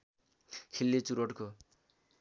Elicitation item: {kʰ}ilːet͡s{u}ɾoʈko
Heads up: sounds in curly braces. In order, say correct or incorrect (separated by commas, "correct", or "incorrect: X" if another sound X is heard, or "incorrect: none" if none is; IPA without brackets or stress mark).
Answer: correct, correct